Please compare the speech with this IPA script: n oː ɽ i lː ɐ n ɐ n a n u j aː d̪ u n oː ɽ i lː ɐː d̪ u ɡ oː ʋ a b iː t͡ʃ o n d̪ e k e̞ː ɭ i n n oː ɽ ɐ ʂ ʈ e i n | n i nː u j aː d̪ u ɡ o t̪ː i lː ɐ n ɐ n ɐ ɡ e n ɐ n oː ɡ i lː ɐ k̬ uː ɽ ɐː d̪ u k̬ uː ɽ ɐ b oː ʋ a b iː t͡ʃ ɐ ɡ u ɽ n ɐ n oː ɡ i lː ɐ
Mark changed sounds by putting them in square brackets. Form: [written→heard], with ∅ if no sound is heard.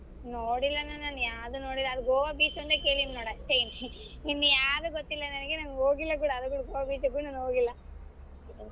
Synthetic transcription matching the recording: n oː ɽ i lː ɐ n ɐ n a n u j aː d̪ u n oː ɽ i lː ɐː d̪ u ɡ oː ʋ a b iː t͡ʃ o n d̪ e k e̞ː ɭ i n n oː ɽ ɐ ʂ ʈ e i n | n i nː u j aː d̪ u ɡ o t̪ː i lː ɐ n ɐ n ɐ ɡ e n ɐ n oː ɡ i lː ɐ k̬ uː ɽ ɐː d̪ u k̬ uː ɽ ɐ [b→ɡ] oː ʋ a b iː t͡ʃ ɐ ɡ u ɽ n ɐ n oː ɡ i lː ɐ

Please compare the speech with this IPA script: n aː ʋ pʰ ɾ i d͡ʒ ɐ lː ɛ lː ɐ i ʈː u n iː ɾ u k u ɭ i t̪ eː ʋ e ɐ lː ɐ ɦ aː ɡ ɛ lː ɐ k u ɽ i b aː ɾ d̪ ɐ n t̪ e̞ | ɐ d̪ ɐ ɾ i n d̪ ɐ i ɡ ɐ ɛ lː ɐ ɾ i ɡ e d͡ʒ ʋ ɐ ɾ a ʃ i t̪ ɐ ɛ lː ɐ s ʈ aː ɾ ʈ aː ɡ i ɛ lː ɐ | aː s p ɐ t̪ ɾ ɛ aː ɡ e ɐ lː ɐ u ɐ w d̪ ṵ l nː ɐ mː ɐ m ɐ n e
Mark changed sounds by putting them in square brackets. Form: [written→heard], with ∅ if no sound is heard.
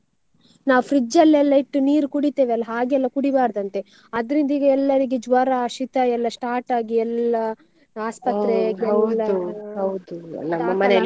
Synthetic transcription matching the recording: n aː ʋ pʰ ɾ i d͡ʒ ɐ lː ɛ lː ɐ i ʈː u n iː ɾ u k u [ɭ→ɽ] i t̪ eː ʋ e ɐ lː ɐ ɦ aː ɡ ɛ lː ɐ k u ɽ i b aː ɾ d̪ ɐ n t̪ e̞ | ɐ d̪ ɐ ɾ i n d̪ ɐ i ɡ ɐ ɛ lː ɐ ɾ i ɡ e d͡ʒ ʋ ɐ ɾ a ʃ i t̪ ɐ ɛ lː ɐ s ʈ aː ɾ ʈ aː ɡ i ɛ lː ɐ | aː s p ɐ t̪ ɾ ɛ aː ɡ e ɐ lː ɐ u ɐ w d̪ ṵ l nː ɐ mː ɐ m ɐ n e

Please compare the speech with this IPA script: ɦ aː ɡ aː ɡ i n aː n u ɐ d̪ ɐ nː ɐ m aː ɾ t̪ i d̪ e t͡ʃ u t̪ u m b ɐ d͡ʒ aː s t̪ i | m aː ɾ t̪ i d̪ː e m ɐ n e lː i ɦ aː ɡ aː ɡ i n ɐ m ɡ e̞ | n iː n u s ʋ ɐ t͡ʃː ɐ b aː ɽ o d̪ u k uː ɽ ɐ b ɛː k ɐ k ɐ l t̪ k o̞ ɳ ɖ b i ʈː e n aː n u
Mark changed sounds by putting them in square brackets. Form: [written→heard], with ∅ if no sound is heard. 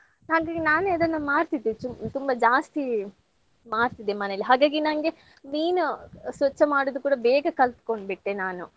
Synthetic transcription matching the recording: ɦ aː ɡ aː ɡ i n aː n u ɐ d̪ ɐ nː ɐ m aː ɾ t̪ i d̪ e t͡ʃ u t̪ u m b ɐ d͡ʒ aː s t̪ i | m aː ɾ t̪ i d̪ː e m ɐ n e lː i ɦ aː ɡ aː ɡ i n ɐ [m→ŋ] ɡ e̞ | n iː n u s ʋ ɐ t͡ʃː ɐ [b→m] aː ɽ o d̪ u k uː ɽ ɐ b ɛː [k→ɡ] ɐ k ɐ l t̪ k o̞ ɳ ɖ b i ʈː e n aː n u

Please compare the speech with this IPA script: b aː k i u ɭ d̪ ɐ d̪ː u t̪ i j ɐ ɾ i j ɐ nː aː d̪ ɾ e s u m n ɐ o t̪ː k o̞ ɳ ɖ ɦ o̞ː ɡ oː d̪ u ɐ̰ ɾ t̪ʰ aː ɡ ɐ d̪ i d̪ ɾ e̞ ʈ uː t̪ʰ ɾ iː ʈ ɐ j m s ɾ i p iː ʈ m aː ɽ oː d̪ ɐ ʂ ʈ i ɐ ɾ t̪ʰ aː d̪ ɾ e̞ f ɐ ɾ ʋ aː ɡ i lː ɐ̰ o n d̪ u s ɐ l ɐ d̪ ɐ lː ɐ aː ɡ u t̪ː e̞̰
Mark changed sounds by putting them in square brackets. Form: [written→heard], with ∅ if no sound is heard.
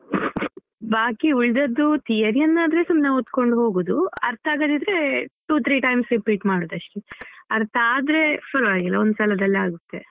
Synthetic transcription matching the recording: b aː k i u ɭ d̪ ɐ d̪ː u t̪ i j ɐ ɾ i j ɐ nː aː d̪ ɾ e s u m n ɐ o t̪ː k o̞ ɳ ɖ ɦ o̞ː ɡ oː d̪ u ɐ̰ ɾ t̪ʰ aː ɡ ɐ d̪ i d̪ ɾ e̞ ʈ uː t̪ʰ ɾ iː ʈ ɐ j m s ɾ i p iː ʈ m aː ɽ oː d̪ ɐ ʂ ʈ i ɐ ɾ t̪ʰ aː d̪ ɾ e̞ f ɐ ɾ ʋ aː ɡ i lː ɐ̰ o n d̪ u s ɐ l ɐ d̪ ɐ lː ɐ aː ɡ u t̪ː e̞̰

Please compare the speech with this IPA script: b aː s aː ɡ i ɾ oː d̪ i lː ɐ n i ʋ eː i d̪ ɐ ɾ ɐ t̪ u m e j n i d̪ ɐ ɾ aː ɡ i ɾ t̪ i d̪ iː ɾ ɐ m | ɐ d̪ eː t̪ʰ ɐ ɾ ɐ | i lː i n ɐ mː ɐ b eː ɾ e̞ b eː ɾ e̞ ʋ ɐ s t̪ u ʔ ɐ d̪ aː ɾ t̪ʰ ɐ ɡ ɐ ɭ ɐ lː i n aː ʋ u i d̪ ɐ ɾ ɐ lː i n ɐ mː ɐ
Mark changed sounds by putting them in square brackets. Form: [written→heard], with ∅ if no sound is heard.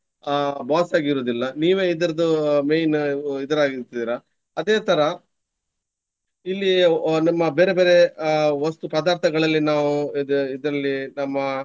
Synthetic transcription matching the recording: b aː s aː ɡ i ɾ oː d̪ i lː ɐ n [i→iː] ʋ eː i d̪ ɐ ɾ ɐ [t̪→d̪] u m e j n i d̪ ɐ ɾ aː ɡ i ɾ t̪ i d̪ iː ɾ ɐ [m→∅] | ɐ d̪ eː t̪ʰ ɐ ɾ ɐ | i lː i n ɐ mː ɐ b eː ɾ e̞ b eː ɾ e̞ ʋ ɐ s t̪ u [ʔ→p] ɐ d̪ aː ɾ t̪ʰ ɐ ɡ ɐ ɭ ɐ lː i n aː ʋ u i d̪ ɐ ɾ ɐ lː i n ɐ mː ɐ

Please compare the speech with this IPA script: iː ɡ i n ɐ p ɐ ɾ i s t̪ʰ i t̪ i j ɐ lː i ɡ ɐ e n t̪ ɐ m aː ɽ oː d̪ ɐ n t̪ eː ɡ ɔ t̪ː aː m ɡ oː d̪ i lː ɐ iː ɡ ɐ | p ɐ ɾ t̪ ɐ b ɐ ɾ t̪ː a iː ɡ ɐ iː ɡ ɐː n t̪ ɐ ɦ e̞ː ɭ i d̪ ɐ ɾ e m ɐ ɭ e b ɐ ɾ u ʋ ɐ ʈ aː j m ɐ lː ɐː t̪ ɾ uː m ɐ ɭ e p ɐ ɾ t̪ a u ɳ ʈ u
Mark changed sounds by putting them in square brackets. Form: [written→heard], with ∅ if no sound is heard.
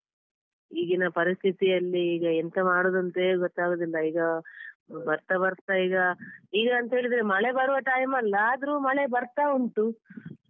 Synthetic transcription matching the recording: iː ɡ i n ɐ p ɐ ɾ i s t̪ʰ i t̪ i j ɐ lː [i→iː] ɡ ɐ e n t̪ ɐ m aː ɽ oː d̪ ɐ n t̪ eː ɡ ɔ t̪ː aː [m→∅] ɡ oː d̪ i lː ɐ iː ɡ ɐ | [p→b] ɐ ɾ t̪ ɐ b ɐ ɾ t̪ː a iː ɡ ɐ iː ɡ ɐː n t̪ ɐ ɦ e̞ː ɭ i d̪ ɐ ɾ e m ɐ ɭ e b ɐ ɾ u ʋ ɐ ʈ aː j m ɐ lː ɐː [t̪→d̪] ɾ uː m ɐ ɭ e [p→b] ɐ ɾ t̪ a u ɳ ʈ u

